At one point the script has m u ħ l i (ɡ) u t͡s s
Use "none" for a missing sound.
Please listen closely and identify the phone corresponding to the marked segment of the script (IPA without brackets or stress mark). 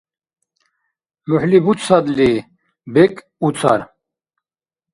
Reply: b